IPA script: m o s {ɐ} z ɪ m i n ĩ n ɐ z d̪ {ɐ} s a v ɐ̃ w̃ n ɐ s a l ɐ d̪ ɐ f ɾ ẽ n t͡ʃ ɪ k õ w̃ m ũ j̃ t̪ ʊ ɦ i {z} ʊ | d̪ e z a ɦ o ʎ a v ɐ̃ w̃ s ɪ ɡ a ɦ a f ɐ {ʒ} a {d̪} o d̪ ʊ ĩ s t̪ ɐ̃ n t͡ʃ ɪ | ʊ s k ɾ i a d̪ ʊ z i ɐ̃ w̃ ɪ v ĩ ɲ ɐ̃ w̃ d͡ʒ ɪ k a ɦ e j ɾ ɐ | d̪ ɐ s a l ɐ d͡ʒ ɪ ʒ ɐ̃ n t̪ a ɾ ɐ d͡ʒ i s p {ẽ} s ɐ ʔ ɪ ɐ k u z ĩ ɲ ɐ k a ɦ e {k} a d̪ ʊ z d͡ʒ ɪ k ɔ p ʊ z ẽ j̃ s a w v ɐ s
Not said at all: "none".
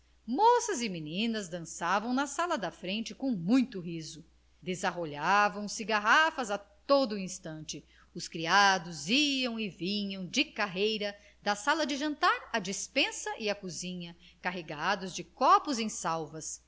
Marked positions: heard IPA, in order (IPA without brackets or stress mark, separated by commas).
ɐ, ɐ̃, z, z, t̪, ẽ, ɡ